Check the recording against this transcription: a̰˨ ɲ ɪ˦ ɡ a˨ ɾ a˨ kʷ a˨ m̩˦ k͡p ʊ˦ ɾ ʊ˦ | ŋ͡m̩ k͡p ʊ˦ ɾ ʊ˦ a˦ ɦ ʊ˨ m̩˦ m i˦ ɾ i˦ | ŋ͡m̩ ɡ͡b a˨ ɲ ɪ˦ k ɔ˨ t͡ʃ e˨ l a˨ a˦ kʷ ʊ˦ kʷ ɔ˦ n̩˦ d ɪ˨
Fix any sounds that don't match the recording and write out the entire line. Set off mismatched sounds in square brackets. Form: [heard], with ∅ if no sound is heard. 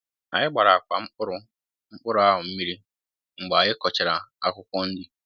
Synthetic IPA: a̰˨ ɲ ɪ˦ [ɡ͡b] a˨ ɾ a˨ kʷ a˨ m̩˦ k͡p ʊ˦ ɾ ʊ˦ | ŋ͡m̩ k͡p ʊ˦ ɾ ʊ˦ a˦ ɦ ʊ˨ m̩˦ m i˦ ɾ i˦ | ŋ͡m̩ ɡ͡b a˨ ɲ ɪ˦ k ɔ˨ t͡ʃ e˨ [ɾ] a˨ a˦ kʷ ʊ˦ kʷ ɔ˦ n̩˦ d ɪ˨